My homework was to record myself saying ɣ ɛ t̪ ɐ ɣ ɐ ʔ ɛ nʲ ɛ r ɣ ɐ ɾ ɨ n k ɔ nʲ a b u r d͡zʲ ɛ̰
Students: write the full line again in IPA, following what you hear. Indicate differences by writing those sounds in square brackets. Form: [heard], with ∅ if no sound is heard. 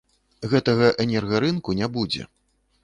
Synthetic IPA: ɣ ɛ t̪ ɐ ɣ ɐ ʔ ɛ nʲ ɛ r ɣ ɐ ɾ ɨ n k [u] nʲ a b u [∅] d͡zʲ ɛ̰